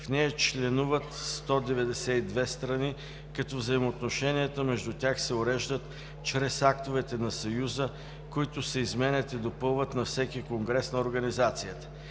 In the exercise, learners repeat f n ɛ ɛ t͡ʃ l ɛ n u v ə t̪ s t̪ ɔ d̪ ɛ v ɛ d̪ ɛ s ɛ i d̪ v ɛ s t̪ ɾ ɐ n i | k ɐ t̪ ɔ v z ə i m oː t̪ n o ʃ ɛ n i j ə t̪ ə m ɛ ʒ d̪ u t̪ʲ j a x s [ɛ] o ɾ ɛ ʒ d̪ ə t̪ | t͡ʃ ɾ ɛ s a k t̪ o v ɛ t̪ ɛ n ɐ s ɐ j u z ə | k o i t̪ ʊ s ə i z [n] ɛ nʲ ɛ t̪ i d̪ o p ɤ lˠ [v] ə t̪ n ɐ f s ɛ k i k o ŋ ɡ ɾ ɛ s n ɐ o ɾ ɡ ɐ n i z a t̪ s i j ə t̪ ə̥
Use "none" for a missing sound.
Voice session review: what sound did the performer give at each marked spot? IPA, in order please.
ɛ, m, v

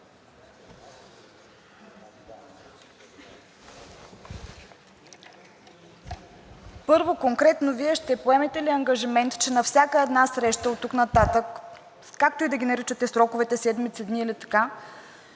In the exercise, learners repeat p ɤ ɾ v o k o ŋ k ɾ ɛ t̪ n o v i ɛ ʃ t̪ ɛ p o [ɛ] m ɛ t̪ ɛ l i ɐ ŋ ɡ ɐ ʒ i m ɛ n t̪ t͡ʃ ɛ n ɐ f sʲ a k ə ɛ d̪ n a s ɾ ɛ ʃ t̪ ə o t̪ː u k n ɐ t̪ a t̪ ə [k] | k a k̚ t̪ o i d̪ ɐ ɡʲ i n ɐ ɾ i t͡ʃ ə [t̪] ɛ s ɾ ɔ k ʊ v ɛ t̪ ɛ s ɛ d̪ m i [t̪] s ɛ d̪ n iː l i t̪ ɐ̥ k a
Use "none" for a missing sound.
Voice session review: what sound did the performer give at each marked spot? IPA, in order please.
ɛ, k, t̪, t̪

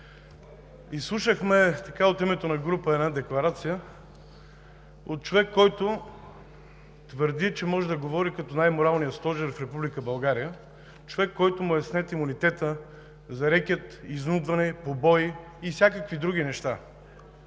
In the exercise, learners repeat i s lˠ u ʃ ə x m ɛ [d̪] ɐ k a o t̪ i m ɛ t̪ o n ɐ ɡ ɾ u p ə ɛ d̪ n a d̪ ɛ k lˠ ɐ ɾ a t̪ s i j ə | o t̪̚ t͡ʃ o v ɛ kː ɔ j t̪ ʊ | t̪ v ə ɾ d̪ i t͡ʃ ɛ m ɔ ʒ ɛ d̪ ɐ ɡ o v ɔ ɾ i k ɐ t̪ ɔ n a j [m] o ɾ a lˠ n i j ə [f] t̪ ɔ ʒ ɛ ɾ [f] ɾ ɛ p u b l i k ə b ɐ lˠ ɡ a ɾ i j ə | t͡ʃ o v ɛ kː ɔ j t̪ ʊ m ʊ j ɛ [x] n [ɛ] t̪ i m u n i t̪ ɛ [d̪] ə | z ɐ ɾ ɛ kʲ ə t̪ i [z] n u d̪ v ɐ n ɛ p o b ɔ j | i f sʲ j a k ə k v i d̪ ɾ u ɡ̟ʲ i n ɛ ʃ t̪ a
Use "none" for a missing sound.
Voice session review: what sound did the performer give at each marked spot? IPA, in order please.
t̪, m, s, f, s, ɛ, t̪, z

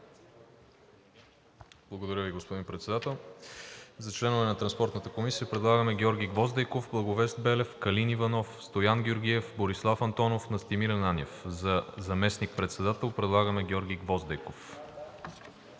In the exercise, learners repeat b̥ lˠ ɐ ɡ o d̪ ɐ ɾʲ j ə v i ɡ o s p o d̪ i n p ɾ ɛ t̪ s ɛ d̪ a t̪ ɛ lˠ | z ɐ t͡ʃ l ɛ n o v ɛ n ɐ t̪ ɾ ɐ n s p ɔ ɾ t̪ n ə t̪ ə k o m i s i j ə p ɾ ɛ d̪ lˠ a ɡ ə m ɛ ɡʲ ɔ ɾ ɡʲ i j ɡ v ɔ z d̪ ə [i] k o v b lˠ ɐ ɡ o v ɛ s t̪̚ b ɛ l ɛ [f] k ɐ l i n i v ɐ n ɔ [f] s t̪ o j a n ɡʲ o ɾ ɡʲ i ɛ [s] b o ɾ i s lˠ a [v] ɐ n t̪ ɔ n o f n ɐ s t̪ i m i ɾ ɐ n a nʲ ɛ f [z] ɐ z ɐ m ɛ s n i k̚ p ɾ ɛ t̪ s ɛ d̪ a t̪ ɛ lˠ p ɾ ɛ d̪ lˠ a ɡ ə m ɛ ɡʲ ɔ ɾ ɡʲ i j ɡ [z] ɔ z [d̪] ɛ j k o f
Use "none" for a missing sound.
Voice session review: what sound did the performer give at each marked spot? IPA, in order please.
j, f, f, f, f, z, v, d̪

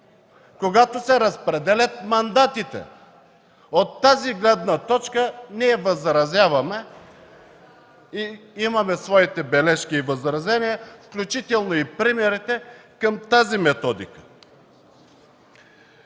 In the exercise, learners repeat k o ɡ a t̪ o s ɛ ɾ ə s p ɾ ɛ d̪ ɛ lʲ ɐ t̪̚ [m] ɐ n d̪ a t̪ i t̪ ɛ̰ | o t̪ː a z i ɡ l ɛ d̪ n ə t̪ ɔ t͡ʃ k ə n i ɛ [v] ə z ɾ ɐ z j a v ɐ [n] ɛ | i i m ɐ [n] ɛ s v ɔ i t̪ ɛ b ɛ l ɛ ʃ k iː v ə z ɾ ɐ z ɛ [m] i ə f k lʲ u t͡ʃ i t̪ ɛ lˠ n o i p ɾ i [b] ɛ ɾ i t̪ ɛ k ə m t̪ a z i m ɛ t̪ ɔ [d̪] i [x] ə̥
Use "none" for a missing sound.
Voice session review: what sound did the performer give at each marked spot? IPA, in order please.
m, v, m, m, n, m, d̪, k

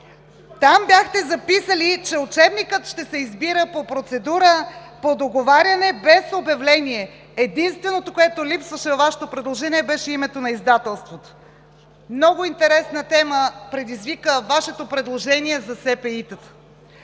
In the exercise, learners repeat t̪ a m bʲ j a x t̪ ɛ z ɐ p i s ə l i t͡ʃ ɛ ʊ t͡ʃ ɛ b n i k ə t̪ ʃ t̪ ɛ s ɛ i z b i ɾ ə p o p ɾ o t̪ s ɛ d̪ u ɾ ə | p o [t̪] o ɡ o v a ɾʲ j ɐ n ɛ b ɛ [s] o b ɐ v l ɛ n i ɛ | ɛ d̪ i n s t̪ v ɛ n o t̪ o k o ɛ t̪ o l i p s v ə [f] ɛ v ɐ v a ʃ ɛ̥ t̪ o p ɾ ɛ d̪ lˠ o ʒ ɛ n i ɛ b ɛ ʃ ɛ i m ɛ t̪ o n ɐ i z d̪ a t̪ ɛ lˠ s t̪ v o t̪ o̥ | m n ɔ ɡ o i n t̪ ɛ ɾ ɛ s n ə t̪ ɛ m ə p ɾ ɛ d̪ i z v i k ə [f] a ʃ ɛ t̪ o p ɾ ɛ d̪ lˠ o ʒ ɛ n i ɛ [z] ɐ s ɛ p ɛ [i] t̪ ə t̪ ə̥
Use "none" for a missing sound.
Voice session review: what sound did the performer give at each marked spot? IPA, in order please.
d̪, s, ʃ, v, z, i

